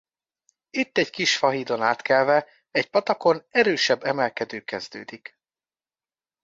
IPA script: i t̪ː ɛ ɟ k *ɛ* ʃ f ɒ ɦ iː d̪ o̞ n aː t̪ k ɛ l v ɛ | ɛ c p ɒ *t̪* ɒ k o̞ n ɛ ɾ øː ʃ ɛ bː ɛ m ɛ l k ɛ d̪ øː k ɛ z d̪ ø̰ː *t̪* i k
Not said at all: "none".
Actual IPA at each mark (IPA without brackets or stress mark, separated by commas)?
i, t̪, d̪